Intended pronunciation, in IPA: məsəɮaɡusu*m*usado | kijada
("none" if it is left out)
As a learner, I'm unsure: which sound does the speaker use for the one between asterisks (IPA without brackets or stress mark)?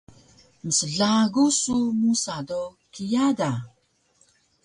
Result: m